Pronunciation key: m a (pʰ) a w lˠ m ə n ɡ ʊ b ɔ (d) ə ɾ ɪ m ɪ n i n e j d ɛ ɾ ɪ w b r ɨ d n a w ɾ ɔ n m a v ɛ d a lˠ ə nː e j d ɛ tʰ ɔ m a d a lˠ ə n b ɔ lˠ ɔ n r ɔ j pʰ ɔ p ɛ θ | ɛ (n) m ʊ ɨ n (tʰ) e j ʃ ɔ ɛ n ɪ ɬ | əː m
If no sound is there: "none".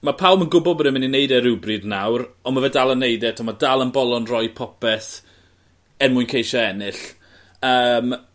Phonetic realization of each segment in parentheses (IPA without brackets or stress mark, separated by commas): pʰ, b, n, kʰ